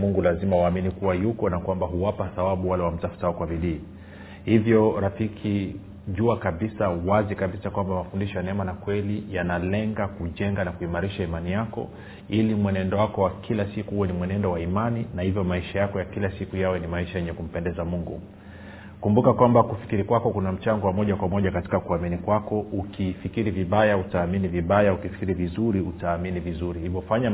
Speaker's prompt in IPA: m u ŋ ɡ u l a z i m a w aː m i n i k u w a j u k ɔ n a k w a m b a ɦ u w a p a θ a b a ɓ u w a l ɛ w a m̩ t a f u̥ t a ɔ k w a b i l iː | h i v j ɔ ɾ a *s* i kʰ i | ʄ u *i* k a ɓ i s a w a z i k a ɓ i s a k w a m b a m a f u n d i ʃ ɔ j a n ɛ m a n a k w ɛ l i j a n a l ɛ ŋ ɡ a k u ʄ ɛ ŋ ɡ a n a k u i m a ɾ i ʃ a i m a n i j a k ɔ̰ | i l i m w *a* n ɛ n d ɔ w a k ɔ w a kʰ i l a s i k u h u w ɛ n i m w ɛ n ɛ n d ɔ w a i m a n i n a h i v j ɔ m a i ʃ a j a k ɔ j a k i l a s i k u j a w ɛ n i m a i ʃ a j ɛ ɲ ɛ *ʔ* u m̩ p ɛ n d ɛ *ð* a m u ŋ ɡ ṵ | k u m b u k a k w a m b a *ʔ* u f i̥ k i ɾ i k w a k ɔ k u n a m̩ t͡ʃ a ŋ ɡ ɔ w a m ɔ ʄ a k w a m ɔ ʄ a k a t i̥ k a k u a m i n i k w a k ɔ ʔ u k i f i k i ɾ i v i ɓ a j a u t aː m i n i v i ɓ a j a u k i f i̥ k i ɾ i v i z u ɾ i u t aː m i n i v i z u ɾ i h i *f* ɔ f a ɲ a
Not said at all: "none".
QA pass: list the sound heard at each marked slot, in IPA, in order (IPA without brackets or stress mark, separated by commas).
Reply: f, a, ɛ, k, z, k, v